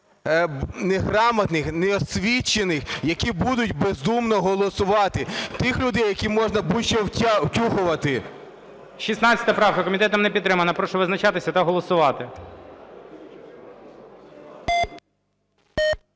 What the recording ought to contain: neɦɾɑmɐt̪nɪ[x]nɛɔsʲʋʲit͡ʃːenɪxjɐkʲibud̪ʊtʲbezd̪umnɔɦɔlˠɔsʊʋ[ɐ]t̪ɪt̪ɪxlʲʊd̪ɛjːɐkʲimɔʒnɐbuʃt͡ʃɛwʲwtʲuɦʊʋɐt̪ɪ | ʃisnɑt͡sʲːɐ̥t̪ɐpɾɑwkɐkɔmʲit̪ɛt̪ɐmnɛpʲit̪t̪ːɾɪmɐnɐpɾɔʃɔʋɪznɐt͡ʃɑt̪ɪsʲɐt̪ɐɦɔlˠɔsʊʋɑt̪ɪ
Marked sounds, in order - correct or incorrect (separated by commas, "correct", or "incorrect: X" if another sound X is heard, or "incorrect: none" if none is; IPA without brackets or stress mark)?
correct, incorrect: ɑ